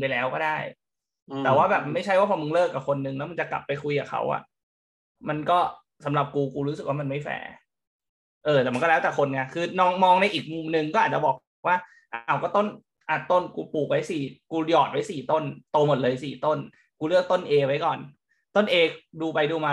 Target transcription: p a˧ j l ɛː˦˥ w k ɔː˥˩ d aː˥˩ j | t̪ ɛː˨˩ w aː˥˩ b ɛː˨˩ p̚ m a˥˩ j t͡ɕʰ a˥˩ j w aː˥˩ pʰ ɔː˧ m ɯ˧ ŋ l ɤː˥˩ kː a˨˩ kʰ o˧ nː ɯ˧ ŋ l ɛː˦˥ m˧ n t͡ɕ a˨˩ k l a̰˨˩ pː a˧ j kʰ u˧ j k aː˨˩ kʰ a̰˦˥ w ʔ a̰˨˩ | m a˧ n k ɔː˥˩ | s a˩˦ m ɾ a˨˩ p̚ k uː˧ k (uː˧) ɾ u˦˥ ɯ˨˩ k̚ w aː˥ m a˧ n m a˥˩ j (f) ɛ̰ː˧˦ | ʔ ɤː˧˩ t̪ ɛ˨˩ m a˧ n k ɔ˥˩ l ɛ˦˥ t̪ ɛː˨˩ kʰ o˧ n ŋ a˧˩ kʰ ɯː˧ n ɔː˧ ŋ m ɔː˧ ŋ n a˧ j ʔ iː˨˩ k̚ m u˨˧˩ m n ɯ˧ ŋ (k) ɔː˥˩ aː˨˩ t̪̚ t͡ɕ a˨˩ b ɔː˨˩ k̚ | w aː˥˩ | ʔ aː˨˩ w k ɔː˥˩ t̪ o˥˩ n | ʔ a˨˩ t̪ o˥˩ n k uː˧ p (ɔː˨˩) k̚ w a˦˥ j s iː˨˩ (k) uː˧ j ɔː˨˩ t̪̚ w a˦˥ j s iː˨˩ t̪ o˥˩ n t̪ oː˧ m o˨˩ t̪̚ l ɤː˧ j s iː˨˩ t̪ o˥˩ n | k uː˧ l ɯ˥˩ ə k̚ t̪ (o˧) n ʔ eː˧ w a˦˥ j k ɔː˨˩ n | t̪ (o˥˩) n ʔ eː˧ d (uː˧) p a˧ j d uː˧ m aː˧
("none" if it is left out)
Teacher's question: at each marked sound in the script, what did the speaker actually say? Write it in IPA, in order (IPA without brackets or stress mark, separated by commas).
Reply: uː˧, f, k, uː˨˩, k, o˥˩, o˥˩, uː˧